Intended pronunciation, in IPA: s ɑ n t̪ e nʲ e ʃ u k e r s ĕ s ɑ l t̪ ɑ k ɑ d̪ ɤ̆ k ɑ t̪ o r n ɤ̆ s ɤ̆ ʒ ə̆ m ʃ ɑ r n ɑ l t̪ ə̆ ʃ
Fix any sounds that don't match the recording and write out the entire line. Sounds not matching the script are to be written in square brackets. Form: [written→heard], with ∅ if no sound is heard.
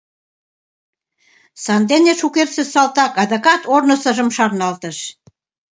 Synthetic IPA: s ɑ n [t̪→d̪] e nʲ e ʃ u k e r s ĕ s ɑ l t̪ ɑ k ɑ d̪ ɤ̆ k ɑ t̪ o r n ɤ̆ s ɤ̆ ʒ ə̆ m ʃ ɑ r n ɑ l t̪ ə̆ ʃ